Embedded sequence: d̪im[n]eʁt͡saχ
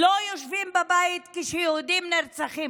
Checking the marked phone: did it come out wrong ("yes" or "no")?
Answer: no